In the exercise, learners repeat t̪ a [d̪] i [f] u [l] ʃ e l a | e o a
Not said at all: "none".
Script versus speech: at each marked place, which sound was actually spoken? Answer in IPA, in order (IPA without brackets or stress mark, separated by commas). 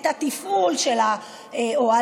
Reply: t̪, f, l